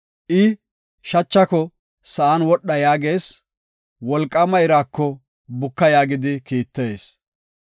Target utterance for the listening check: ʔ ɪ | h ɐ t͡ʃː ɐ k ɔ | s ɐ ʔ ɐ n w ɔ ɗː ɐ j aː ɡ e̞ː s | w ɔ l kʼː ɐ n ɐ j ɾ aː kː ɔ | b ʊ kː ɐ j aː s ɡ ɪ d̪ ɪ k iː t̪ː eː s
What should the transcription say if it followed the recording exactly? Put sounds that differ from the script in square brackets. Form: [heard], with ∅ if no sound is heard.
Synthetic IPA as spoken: ʔ ɪ | [ʃ] ɐ t͡ʃː ɐ k ɔ | s ɐ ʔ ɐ n w ɔ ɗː ɐ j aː ɡ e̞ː s | w ɔ l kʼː ɐ [m] ɐ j ɾ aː kː ɔ | b ʊ kː ɐ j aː [∅] ɡ ɪ d̪ ɪ k iː t̪ː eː s